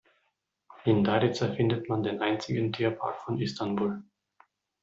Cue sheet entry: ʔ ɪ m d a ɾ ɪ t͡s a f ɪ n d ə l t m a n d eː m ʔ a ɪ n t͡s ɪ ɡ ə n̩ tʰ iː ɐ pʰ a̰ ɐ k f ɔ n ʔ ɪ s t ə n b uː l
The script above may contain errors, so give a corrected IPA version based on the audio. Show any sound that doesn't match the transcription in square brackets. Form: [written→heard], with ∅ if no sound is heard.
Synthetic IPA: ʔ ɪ [m→n] d a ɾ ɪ t͡s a f ɪ n d ə [l→∅] t m a n d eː [m→n] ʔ a ɪ n t͡s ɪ ɡ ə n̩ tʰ iː ɐ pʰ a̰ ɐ k f ɔ n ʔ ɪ s t [ə→a] n b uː l